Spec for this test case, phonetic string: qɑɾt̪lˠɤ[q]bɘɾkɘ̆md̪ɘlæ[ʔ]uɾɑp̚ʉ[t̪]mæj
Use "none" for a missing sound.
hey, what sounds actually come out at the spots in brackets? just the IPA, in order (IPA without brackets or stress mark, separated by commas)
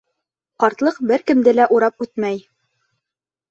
q, ʔ, t̪